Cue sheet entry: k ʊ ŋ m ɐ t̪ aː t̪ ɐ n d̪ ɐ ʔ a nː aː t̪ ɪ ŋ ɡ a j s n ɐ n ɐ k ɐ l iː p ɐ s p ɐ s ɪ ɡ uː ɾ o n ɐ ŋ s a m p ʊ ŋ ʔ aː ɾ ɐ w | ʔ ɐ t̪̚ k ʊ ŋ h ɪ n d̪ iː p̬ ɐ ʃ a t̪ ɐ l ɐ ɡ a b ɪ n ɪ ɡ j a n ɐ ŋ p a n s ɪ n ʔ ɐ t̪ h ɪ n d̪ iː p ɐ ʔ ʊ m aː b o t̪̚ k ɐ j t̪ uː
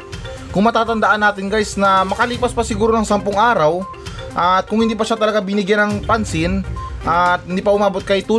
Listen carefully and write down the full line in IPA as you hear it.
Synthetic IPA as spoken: k ʊ ŋ m ɐ t̪ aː t̪ ɐ n d̪ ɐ ʔ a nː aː t̪ ɪ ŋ ɡ a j s n ɐ m ɐ k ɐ l iː p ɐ s p ɐ s ɪ ɡ uː ɾ o n ɐ ŋ s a m p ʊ ŋ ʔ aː ɾ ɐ w | ʔ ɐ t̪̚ k ʊ ŋ h ɪ n d̪ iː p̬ ɐ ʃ a t̪ ɐ l ɐ ɡ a b ɪ n ɪ ɡ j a n ɐ ŋ p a n s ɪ n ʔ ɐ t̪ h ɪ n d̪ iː p ɐ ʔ ʊ m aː b o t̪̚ k ɐ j t̪ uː